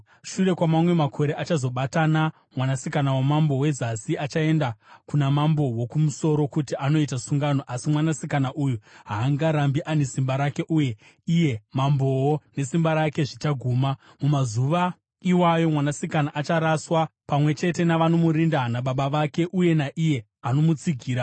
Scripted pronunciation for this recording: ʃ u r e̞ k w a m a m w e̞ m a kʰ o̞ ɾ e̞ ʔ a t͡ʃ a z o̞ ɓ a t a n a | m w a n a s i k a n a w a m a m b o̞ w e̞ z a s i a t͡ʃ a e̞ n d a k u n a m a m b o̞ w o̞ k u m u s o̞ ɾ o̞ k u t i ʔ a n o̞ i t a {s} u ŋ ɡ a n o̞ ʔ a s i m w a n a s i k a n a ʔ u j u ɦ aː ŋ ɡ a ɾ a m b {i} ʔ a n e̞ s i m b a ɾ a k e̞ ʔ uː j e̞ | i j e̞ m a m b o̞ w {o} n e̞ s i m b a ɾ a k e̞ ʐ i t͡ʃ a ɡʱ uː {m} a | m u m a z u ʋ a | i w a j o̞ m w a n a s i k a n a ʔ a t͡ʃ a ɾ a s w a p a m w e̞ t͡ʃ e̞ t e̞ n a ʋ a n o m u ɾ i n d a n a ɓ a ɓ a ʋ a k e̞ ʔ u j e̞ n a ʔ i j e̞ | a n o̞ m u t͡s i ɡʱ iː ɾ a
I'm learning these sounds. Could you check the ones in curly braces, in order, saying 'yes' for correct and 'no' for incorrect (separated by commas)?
yes, yes, yes, yes